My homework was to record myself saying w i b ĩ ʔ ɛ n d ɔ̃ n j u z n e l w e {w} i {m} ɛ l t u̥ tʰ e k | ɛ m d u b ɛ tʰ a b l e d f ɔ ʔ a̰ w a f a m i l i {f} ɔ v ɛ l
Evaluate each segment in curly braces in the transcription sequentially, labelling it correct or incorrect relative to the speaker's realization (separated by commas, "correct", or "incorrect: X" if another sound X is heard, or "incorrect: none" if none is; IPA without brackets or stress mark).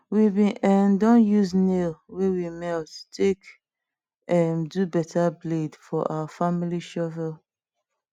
correct, correct, incorrect: ʃ